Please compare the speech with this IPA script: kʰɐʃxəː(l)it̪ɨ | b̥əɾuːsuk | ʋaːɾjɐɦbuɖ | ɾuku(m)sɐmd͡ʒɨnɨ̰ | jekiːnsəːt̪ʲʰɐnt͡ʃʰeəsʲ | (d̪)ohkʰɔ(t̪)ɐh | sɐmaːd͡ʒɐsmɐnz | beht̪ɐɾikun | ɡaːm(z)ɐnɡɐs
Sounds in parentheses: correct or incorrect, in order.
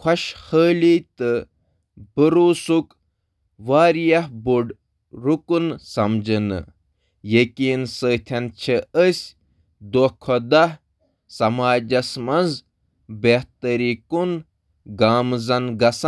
correct, incorrect: n, correct, incorrect: d̪, correct

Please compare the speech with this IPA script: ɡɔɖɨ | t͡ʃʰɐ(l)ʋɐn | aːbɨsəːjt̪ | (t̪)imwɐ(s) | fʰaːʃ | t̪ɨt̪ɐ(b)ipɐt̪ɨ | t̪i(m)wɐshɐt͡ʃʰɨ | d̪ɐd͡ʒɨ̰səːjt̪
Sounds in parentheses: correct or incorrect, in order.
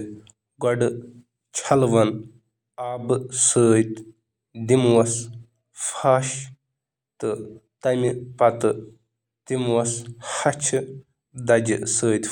correct, incorrect: d̪, correct, incorrect: m, correct

